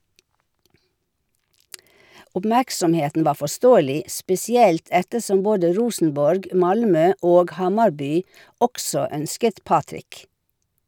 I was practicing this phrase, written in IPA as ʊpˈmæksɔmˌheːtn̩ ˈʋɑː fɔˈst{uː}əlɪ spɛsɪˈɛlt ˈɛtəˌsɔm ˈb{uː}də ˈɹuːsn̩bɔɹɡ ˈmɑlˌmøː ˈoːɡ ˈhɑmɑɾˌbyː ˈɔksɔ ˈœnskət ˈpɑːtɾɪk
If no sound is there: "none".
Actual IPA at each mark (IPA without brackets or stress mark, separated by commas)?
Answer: oː, oː